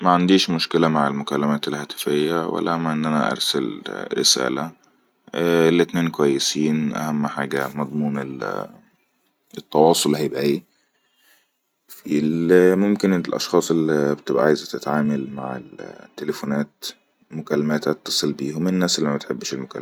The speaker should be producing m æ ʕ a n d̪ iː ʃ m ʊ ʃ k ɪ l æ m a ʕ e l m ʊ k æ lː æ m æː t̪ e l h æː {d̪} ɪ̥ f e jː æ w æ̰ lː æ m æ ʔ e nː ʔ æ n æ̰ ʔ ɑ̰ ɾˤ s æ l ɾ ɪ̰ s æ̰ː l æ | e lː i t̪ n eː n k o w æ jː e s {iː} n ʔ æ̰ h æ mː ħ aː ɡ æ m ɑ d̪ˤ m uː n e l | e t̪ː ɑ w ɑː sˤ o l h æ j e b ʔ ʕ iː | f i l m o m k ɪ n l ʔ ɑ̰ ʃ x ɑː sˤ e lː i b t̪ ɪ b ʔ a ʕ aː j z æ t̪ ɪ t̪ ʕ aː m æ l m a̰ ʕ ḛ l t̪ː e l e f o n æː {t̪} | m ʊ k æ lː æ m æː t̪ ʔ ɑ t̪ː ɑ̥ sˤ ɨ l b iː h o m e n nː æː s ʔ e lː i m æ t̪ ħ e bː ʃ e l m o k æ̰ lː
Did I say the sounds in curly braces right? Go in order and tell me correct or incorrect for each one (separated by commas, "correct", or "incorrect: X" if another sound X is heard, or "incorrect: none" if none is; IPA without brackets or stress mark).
incorrect: t̪, correct, correct